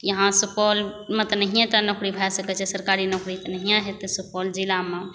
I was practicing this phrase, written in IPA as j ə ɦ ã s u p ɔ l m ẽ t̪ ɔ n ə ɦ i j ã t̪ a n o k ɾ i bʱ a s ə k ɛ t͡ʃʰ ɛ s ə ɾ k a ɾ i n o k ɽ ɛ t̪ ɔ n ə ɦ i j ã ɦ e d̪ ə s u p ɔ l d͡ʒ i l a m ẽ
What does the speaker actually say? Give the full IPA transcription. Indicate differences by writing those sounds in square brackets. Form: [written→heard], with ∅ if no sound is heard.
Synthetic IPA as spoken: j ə ɦ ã s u p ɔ l m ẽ t̪ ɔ n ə ɦ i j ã t̪ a n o k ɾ i bʱ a s ə k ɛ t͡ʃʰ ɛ s ə ɾ k a ɾ i n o k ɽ [ɛ→i] t̪ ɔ n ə ɦ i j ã ɦ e [d̪→t̪] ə s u p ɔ l d͡ʒ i l a m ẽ